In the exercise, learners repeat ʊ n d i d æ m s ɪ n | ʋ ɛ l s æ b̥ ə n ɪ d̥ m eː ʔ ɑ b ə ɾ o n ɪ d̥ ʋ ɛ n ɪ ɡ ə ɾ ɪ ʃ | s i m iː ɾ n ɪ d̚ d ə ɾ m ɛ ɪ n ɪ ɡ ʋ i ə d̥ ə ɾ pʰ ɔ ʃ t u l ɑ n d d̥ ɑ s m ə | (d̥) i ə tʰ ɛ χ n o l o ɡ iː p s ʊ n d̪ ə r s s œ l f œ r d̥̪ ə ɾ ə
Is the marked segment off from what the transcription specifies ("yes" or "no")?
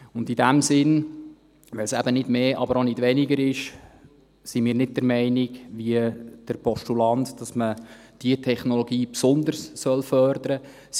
no